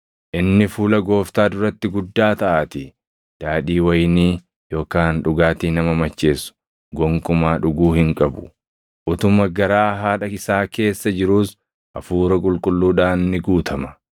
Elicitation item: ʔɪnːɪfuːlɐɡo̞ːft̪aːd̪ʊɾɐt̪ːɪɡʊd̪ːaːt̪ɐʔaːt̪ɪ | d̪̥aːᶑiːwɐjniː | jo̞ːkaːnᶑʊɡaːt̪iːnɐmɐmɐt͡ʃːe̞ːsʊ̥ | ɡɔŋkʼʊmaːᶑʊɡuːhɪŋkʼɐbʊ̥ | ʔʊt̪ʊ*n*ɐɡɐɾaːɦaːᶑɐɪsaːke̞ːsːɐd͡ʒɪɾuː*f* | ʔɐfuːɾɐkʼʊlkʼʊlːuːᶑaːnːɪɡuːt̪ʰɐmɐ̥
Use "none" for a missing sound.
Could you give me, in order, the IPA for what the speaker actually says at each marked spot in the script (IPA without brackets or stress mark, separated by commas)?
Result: m, s